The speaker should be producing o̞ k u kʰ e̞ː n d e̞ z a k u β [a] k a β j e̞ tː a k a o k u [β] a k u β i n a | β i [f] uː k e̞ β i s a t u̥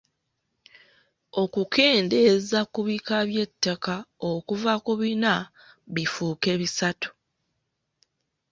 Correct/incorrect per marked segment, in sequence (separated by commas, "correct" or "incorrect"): incorrect, incorrect, correct